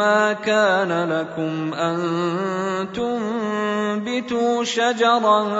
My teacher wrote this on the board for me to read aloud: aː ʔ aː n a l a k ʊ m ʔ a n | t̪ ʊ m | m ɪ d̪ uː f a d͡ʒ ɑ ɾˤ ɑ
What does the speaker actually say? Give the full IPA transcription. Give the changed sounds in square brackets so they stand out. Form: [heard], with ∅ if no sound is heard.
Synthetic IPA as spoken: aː [k] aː n a l a k ʊ m ʔ a n | t̪ ʊ m | [b] ɪ [t̪] uː [ʃ] a d͡ʒ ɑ ɾˤ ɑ